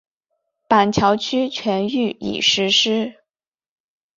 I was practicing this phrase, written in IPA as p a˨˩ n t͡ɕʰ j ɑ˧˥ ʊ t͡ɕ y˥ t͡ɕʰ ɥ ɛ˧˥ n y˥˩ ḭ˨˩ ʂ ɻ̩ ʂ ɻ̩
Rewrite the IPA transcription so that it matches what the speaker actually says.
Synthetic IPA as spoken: p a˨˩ n t͡ɕʰ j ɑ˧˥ ʊ t͡ɕʰ y˥ t͡ɕʰ ɥ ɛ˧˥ n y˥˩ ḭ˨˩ ʂ ɻ̩ ʂ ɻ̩